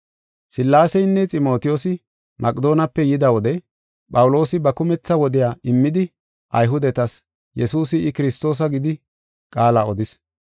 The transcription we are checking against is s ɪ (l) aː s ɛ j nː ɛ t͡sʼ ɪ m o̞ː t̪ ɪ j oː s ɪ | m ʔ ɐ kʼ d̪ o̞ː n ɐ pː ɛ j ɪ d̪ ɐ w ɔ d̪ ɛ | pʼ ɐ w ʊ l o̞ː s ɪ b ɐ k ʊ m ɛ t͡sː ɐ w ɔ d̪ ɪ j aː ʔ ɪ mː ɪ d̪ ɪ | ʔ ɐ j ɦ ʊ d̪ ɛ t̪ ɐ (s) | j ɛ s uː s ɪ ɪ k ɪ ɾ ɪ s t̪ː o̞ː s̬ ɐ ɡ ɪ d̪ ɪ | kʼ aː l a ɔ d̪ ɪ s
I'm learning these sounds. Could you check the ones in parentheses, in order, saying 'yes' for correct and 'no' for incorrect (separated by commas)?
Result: no, yes